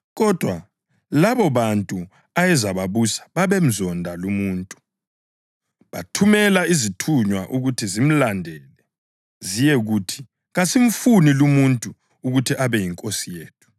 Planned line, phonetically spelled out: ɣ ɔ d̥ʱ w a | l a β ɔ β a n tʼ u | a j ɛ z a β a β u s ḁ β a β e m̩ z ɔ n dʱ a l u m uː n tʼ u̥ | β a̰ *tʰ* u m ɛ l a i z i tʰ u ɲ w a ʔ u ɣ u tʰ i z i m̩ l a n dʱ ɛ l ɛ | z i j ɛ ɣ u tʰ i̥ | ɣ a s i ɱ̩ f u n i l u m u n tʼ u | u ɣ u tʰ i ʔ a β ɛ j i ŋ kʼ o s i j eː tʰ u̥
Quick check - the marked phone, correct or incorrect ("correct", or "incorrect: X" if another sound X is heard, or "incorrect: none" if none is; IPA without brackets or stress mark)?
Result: correct